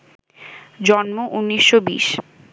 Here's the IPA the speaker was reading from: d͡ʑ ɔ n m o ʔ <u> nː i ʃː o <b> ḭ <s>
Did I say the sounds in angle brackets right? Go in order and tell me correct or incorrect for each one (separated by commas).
correct, correct, incorrect